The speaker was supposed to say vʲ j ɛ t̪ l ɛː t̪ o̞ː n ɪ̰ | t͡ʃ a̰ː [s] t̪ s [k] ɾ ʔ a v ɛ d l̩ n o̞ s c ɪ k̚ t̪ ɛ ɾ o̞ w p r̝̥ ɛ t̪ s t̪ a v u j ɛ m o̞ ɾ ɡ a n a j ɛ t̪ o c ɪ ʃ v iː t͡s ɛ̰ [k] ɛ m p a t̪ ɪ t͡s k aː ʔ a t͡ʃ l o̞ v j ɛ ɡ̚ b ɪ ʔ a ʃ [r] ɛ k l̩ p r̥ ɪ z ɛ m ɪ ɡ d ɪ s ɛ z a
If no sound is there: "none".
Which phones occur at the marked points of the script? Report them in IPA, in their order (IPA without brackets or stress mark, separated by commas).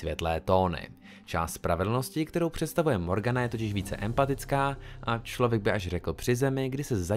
s, p, ʔ, r